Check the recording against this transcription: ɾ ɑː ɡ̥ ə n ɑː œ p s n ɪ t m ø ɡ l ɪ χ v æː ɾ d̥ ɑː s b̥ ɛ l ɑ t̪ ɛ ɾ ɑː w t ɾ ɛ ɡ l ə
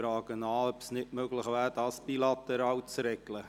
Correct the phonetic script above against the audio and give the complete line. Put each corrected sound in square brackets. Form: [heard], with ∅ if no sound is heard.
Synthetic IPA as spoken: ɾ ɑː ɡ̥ ə n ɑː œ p s n ɪ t m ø ɡ l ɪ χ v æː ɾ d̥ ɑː s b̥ [i] l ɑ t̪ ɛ ɾ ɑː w [t͡s] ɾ ɛ ɡ l ə